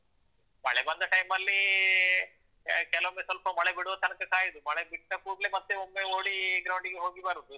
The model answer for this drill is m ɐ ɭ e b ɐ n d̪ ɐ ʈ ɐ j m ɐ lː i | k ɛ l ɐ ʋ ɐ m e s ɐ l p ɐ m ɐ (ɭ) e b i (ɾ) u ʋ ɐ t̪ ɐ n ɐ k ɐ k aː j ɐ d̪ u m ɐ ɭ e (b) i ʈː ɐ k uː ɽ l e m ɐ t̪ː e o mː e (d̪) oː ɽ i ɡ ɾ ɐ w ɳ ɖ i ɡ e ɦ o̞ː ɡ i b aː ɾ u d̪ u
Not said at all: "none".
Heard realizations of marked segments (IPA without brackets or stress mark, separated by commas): ɭ, ɽ, b, none